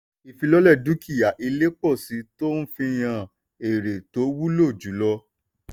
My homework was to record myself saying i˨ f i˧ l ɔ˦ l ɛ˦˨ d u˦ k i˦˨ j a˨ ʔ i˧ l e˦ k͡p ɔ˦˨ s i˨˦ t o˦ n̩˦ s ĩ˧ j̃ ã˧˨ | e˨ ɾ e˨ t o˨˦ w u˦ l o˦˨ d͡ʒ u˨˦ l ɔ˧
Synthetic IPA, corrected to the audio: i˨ f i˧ l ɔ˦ l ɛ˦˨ d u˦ k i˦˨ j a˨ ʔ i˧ l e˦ k͡p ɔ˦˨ s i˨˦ t o˦ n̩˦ f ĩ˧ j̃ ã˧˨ | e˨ ɾ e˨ t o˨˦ w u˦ l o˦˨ d͡ʒ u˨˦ l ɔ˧